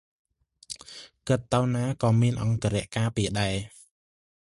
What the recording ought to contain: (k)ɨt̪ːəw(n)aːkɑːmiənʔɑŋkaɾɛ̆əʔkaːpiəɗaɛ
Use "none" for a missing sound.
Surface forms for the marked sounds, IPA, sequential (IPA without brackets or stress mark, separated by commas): k, n